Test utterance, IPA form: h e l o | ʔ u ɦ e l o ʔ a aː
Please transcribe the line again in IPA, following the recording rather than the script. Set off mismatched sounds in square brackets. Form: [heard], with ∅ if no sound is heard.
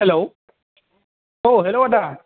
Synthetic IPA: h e l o | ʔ [o] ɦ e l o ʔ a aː